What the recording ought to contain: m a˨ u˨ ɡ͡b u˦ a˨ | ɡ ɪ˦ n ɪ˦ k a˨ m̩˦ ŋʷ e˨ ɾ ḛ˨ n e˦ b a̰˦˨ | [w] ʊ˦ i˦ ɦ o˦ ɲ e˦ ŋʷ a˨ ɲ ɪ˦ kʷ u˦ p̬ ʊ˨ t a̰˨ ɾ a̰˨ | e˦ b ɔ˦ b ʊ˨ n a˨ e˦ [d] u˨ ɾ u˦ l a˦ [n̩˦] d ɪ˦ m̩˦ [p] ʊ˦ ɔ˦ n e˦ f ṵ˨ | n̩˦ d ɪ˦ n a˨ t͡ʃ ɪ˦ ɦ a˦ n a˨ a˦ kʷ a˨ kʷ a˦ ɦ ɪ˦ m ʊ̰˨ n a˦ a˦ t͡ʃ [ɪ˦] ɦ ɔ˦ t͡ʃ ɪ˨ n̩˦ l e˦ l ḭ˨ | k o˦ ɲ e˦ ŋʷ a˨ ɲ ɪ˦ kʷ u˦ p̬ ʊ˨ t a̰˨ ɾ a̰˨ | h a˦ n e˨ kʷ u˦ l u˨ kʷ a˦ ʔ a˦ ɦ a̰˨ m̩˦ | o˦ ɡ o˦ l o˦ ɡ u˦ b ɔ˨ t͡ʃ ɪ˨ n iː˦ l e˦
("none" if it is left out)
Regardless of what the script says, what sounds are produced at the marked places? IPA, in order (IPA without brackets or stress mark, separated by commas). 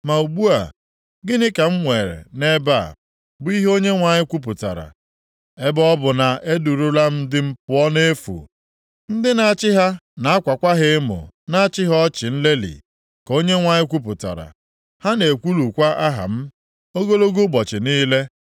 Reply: b, d, m̩˦, p, ɪ˦